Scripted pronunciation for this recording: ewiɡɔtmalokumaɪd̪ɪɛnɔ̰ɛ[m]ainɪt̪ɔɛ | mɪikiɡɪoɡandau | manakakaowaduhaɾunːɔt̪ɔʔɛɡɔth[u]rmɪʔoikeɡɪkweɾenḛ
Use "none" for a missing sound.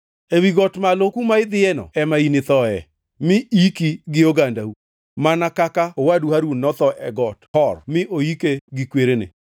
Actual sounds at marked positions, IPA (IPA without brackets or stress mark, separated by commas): m, ɔ